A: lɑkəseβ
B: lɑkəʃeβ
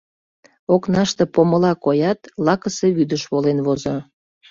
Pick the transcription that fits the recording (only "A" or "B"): A